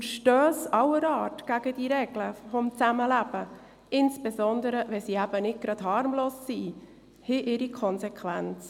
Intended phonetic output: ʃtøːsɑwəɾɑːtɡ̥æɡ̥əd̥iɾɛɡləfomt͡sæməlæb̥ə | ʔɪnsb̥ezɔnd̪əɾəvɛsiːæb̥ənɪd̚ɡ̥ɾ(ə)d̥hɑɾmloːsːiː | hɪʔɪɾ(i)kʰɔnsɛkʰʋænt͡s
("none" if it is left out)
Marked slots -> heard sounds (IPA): ɑ, i

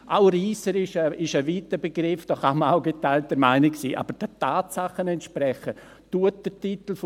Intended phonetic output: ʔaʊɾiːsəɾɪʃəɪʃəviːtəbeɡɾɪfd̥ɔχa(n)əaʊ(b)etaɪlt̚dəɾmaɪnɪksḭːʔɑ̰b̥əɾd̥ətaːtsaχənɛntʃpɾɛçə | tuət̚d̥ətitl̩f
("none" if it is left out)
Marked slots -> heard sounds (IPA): m, ɡ

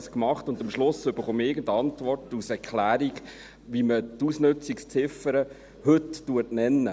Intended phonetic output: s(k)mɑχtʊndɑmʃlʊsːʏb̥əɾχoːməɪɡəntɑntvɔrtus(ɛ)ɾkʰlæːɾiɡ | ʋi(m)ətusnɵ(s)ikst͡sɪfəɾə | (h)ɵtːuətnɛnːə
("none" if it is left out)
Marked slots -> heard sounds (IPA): k, ɛ, m, t͡s, h

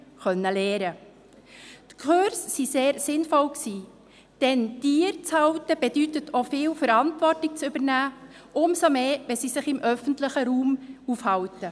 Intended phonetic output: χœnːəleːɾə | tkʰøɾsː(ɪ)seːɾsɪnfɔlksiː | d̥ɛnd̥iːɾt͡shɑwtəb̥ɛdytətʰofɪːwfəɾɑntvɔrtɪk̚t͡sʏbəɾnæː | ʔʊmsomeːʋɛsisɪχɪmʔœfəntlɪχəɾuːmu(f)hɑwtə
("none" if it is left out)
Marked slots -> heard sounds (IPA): i, f

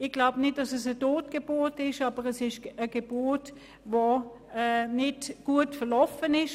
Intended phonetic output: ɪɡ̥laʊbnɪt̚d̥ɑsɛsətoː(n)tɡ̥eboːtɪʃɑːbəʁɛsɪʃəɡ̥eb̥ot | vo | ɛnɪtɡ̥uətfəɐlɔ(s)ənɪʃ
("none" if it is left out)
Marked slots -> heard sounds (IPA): none, f

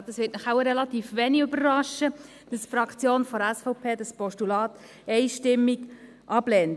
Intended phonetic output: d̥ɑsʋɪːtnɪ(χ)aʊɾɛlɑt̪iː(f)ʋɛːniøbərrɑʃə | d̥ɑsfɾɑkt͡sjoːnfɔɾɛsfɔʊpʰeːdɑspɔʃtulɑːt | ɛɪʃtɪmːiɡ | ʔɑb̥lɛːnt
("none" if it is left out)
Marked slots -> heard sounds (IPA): χ, f

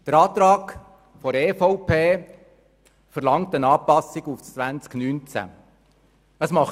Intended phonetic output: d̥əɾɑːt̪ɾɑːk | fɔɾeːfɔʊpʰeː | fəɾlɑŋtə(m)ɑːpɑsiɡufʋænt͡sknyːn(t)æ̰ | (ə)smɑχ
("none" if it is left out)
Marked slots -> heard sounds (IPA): n, t͡s, ə

